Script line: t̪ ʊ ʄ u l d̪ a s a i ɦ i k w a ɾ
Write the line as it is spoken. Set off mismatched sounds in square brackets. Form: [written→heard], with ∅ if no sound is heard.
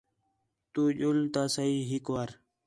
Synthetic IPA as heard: t̪ [ʊ→u] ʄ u l [d̪→t̪] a s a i ɦ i k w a ɾ